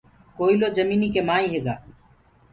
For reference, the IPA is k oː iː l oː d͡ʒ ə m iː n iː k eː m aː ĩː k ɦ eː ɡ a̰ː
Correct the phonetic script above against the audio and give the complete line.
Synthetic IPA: k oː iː l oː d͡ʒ ə m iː n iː k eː m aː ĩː ɦ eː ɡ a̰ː